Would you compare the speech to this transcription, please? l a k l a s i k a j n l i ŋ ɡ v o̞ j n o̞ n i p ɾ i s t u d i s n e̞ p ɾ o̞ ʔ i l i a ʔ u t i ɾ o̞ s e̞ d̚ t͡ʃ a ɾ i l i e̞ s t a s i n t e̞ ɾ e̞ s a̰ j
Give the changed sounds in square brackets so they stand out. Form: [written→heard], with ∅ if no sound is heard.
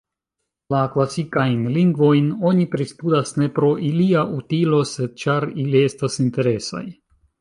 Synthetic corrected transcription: l a k l a s i k a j n l i ŋ ɡ v o̞ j n o̞ n i p ɾ i s t u d [i→a] s n e̞ p ɾ o̞ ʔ i l i a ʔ u t i [ɾ→l] o̞ s e̞ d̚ t͡ʃ a ɾ i l i e̞ s t a s i n t e̞ ɾ e̞ s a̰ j